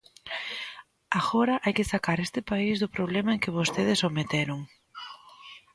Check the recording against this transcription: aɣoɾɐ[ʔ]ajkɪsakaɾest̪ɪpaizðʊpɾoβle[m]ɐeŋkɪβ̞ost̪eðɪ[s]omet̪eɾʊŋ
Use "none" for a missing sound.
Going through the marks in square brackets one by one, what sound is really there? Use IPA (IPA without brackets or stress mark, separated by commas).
ʔ, m, s